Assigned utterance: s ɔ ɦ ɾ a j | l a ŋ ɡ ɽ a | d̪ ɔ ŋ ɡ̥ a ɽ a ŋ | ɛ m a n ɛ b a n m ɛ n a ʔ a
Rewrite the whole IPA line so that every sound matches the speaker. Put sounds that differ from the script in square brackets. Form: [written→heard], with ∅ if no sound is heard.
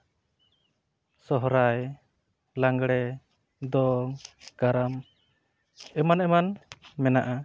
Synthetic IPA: s ɔ ɦ ɾ a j | l a ŋ ɡ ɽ [a→ɛ] | d̪ ɔ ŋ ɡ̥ a [ɽ→ɾ] a [ŋ→m] | ɛ m a n ɛ [b→m] a n m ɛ n a ʔ a